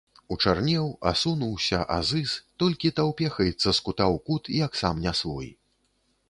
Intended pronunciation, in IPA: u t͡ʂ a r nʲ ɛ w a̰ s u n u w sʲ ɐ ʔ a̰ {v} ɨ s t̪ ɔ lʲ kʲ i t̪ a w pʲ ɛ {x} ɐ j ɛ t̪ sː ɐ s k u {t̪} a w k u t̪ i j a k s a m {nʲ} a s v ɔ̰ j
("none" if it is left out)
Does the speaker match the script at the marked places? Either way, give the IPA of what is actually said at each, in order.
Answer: z, x, t̪, nʲ

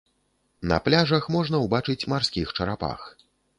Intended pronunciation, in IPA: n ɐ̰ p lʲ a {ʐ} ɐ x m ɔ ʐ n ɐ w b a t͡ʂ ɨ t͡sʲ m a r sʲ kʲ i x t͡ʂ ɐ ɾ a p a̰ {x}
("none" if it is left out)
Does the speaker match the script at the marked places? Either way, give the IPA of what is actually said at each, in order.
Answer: ʐ, x

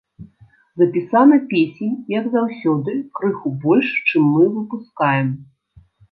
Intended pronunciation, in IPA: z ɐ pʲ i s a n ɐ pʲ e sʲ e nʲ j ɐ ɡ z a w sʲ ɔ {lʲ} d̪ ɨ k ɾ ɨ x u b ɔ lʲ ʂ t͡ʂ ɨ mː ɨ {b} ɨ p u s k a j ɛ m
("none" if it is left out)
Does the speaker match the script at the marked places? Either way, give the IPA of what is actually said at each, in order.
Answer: none, v

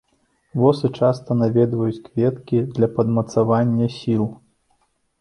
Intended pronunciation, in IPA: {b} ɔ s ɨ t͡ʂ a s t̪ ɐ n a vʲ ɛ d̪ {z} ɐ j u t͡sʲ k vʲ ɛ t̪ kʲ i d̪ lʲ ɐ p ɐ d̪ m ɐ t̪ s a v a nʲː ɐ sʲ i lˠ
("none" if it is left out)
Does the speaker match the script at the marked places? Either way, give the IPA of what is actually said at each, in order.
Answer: v, v

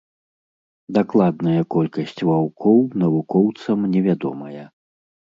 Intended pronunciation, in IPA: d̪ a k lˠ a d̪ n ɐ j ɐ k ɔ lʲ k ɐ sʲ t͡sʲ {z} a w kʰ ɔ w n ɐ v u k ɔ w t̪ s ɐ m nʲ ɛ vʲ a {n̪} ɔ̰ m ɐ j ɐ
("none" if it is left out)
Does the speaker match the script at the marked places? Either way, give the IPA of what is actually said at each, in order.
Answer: v, d̪

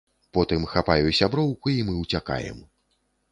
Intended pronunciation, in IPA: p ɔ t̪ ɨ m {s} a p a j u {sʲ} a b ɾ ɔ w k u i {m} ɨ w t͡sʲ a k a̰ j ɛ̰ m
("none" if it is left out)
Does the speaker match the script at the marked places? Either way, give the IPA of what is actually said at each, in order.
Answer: x, sʲ, m

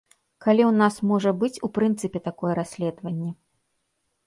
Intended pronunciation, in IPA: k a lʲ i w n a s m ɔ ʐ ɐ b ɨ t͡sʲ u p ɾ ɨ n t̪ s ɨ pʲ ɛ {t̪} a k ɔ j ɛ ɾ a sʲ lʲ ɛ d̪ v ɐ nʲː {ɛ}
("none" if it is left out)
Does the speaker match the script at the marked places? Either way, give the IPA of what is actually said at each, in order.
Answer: t̪, ɛ

